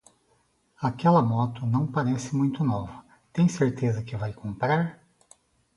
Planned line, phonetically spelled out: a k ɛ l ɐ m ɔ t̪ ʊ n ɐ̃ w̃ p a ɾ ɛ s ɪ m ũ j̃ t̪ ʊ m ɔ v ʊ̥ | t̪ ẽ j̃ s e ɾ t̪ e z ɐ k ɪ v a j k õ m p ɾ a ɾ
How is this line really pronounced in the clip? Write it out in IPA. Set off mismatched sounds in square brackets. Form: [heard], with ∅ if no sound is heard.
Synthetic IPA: a k ɛ l ɐ m ɔ t̪ ʊ n ɐ̃ w̃ p a ɾ ɛ s ɪ m ũ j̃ t̪ ʊ [n] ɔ v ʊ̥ | t̪ ẽ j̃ s e ɾ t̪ e z ɐ k ɪ v a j k õ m p ɾ a ɾ